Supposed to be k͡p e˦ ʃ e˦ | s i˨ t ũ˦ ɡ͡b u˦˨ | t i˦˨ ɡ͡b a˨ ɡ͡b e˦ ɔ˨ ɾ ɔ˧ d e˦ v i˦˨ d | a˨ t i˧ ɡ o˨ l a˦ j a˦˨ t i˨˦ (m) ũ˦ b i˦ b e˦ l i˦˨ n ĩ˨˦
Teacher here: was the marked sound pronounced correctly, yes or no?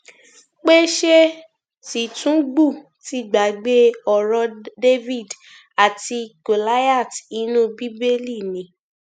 no